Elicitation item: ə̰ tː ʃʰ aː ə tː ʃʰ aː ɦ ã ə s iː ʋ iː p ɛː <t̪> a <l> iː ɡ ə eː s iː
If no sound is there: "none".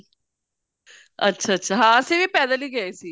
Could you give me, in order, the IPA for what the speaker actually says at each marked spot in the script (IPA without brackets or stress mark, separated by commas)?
d̪, l